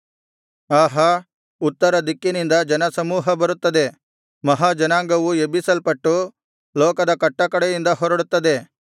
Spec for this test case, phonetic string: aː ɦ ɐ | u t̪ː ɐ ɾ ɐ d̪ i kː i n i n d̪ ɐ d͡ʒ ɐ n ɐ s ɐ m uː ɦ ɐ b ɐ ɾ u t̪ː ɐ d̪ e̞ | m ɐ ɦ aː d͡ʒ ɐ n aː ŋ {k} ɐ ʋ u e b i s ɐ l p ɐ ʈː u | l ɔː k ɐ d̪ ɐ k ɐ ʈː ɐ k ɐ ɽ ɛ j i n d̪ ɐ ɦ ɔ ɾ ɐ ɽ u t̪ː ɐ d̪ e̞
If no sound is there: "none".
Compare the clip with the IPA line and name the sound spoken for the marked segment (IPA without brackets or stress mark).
ɡ